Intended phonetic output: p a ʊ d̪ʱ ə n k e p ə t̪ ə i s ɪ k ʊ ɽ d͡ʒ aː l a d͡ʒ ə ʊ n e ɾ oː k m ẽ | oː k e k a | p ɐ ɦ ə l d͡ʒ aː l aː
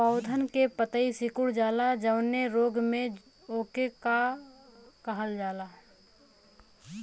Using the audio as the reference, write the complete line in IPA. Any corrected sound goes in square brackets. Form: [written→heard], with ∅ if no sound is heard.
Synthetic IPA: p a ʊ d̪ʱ ə n k e p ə t̪ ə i s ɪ k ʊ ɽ d͡ʒ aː l a d͡ʒ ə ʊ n e ɾ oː [k→ɡ] m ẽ | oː k e k a | [p→k] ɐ ɦ ə l d͡ʒ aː l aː